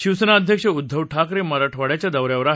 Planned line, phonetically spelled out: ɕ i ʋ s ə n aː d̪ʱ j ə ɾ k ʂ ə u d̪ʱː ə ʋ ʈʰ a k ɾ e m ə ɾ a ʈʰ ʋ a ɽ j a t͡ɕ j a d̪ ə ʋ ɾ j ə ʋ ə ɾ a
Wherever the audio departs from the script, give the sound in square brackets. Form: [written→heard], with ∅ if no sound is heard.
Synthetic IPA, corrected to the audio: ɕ i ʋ s ə n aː d̪ʱ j ə [ɾ→∅] k ʂ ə u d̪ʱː ə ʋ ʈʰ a k ɾ e m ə ɾ a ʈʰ ʋ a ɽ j a t͡ɕ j a d̪ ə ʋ ɾ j [ə→a] ʋ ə ɾ a